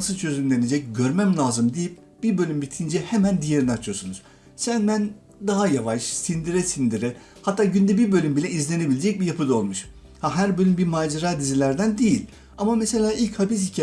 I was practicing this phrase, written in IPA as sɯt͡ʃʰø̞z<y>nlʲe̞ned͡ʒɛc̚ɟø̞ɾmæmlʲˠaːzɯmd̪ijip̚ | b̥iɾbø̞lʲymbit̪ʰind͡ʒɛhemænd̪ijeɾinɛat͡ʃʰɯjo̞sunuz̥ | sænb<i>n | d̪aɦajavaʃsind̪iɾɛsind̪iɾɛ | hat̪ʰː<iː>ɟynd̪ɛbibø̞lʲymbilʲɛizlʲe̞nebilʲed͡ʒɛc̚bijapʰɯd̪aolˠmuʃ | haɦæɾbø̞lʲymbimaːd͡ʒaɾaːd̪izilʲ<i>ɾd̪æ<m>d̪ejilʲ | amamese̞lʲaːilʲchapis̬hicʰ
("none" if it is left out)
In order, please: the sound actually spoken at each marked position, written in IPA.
y, æ, aː, æ, n

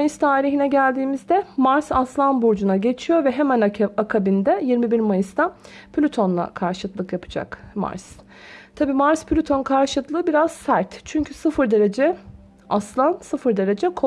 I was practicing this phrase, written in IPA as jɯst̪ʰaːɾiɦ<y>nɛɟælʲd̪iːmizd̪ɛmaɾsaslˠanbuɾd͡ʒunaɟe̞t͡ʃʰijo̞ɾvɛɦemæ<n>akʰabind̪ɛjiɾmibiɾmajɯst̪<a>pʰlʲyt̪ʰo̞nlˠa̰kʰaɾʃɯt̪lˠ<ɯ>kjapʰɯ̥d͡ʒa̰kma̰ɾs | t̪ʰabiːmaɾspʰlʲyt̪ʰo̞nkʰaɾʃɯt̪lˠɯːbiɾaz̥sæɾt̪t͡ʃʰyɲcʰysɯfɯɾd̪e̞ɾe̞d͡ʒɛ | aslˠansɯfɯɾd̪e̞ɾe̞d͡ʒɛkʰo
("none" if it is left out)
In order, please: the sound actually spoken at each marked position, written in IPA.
i, n, a, ɯ

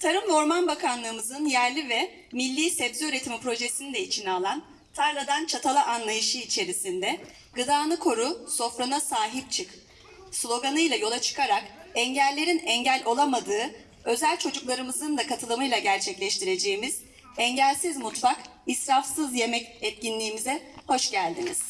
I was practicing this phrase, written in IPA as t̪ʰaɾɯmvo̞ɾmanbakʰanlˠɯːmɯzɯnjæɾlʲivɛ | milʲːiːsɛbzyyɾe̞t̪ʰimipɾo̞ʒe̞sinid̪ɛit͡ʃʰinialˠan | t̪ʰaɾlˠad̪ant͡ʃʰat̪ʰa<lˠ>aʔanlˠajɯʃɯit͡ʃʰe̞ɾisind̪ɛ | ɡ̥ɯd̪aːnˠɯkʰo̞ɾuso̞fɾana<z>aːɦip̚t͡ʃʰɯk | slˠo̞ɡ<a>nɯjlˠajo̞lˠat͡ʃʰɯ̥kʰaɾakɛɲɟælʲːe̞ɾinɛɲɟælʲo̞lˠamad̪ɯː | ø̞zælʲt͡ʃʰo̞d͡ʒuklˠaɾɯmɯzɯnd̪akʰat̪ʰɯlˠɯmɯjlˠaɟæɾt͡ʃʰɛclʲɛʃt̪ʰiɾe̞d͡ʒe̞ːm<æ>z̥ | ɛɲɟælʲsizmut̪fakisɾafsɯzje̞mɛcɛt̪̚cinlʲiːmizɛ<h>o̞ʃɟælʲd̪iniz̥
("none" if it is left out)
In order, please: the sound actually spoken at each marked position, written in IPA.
lˠ, s, a, i, h

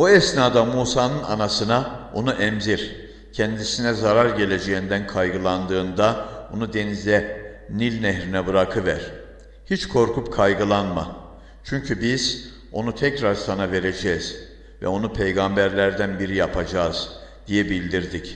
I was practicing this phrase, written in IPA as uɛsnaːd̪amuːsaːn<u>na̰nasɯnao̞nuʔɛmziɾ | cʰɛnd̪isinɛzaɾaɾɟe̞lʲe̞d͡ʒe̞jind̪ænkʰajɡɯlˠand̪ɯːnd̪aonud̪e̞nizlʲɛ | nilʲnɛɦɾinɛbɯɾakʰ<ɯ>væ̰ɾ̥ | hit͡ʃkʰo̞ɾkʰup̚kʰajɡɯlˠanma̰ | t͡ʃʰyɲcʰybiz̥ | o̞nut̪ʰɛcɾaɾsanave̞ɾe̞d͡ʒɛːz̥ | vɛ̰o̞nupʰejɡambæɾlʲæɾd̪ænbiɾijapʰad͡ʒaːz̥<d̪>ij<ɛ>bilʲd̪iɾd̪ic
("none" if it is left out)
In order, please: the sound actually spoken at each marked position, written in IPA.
ɯ, ɯ, d̪, ɛ

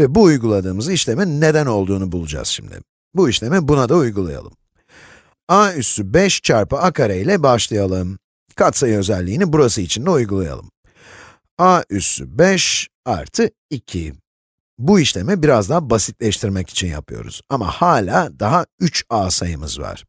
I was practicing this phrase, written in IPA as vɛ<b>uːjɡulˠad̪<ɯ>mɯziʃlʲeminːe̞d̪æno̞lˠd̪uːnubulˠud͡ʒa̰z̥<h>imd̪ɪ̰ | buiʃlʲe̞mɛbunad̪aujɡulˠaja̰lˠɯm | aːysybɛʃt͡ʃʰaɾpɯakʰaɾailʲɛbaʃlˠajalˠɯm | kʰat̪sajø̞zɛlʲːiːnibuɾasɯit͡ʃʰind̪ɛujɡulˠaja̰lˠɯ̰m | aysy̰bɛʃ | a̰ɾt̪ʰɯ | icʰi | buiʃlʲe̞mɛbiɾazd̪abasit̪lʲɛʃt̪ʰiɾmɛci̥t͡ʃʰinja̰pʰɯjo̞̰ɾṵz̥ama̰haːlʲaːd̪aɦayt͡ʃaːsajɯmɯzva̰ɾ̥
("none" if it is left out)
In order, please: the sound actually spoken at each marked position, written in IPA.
b, ɯː, ʃ

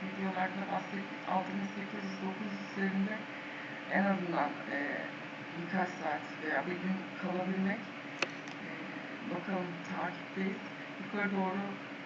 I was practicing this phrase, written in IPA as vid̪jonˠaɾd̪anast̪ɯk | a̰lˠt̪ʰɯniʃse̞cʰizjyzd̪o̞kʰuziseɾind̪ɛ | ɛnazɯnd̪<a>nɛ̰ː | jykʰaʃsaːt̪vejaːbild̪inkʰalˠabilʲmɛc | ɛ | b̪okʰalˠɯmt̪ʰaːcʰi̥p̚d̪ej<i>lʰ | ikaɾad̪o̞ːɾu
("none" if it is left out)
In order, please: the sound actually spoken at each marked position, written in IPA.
a, i

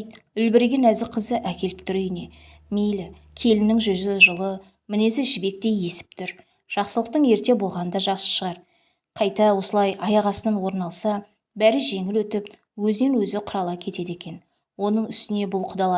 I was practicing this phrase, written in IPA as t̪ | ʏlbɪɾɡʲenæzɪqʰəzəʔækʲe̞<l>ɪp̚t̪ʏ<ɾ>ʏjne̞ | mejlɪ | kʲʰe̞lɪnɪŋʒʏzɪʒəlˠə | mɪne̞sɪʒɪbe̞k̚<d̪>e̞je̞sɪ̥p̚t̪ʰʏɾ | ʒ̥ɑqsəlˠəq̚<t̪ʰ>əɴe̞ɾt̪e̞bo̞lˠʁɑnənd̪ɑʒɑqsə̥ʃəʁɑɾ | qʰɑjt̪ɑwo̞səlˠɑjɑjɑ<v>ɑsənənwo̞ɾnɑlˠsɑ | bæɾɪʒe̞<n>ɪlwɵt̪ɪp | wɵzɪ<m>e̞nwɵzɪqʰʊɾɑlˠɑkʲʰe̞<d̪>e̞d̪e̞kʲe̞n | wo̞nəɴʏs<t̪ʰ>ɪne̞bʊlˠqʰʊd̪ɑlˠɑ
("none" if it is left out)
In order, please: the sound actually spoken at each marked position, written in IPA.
l, ɾ, t̪, t̪, ʁ, ŋ, n, t̪, t̪

